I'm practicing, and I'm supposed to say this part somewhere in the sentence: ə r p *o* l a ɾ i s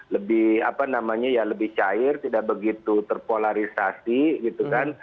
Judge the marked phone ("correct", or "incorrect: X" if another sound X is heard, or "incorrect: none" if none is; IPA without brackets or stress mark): correct